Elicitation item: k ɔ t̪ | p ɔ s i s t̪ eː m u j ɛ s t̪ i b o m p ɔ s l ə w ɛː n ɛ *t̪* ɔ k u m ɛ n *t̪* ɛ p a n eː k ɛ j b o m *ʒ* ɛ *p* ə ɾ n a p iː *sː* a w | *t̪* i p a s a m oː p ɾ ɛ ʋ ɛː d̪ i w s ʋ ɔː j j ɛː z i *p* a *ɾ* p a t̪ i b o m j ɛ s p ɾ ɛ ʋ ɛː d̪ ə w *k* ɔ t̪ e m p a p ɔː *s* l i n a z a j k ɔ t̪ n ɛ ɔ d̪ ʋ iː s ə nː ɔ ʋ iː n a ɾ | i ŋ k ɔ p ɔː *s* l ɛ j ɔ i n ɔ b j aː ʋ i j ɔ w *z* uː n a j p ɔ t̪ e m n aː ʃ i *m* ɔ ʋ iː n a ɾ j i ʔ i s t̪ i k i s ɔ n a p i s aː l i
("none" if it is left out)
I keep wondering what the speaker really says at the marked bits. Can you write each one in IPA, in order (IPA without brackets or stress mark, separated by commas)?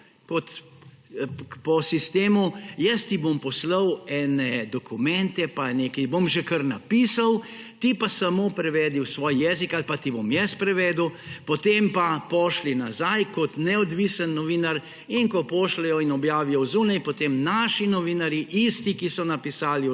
d̪, t̪, ʒ, k, s, t̪, k, l, p, ʃ, ʃ, z, n